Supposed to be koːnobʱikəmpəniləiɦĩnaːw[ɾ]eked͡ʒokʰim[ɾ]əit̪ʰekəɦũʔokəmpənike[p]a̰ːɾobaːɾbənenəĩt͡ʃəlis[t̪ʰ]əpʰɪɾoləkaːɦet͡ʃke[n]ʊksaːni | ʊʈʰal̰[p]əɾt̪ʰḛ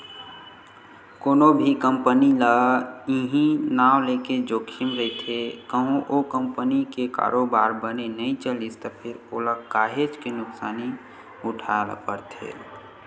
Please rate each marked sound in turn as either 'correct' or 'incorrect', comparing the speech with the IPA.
incorrect: l, correct, incorrect: k, incorrect: t̪, correct, correct

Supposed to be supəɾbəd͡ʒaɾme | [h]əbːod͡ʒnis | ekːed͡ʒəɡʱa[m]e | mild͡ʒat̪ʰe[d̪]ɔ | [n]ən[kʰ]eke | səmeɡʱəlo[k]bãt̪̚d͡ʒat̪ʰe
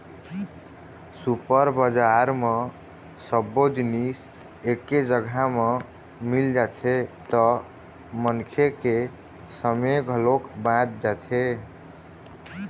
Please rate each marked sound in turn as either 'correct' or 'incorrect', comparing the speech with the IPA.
incorrect: s, correct, incorrect: t̪, incorrect: m, correct, correct

